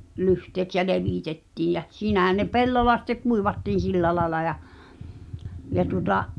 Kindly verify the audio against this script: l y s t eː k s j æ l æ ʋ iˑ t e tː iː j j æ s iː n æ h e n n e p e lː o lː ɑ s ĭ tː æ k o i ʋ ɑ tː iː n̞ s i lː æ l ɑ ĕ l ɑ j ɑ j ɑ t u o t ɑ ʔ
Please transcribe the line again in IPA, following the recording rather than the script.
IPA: l y h t eː k s j æ l e ʋ iˑ t e tː iː j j æ s iː n æ h æ n n e p e lː o lː ɑ s ĭ tː e k u i ʋ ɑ tː iː n̞ s i lː æ l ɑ ĕ l ɑ j ɑ j ɑ t u o t ɑ ʔ